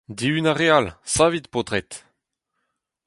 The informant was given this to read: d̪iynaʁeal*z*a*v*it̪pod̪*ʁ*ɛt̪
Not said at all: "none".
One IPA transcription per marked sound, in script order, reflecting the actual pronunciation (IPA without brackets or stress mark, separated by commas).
s, v, ʁ